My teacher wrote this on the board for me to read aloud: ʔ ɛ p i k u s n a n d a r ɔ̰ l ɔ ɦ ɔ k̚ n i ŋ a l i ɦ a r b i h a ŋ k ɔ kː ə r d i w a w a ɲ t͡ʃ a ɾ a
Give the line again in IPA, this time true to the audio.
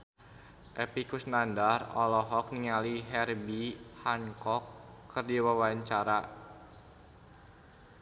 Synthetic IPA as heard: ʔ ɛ p i k u s n a n d a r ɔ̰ l ɔ ɦ ɔ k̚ n i ŋ a l i ɦ ɛ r b i h a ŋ k ɔ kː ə r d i w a w a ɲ t͡ʃ a ɾ a